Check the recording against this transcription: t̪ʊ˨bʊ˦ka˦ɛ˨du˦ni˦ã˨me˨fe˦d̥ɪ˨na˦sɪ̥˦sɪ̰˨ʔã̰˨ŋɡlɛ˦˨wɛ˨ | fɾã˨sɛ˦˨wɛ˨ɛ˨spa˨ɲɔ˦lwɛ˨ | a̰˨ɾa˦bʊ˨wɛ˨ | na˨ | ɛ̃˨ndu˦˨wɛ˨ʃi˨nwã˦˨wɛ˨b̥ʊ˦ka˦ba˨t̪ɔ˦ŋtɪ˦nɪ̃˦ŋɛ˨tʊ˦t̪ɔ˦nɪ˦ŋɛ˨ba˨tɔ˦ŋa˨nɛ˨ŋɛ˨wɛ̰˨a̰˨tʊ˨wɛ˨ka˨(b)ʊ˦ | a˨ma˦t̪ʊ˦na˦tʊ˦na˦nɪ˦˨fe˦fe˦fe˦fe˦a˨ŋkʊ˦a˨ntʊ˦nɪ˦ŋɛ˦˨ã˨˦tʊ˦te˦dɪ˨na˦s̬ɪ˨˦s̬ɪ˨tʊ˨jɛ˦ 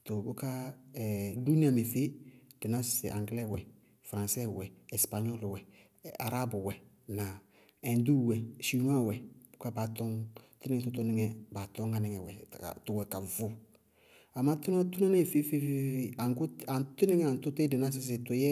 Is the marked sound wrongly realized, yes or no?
yes